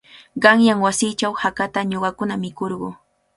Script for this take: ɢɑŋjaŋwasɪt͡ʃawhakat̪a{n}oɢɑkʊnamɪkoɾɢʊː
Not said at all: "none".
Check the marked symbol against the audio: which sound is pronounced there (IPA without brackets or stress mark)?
ɲ